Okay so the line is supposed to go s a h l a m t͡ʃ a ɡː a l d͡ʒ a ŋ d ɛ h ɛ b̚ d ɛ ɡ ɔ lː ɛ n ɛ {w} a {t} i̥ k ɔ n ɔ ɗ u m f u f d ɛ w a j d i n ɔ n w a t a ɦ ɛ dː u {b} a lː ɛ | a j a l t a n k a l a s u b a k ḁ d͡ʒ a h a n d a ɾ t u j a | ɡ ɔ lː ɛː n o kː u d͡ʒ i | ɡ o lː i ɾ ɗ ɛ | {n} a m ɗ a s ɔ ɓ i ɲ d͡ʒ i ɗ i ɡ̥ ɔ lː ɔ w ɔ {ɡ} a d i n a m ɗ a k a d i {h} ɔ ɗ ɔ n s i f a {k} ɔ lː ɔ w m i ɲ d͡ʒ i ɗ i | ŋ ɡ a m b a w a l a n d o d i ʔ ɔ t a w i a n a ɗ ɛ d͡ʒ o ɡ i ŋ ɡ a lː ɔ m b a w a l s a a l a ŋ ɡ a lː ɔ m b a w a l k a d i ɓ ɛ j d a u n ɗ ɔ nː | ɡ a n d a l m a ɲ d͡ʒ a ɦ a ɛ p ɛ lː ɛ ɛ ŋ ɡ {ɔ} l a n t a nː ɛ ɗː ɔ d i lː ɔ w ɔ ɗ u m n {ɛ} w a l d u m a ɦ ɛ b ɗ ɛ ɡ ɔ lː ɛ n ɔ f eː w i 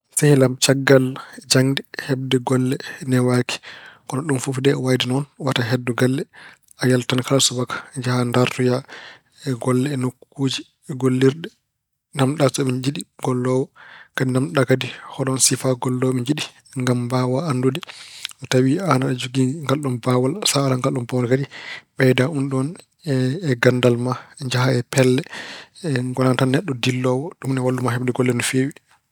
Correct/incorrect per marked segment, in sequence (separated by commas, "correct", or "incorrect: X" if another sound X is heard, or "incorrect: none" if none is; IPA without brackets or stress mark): correct, incorrect: k, incorrect: ɡ, correct, incorrect: k, correct, incorrect: ɡ, correct, correct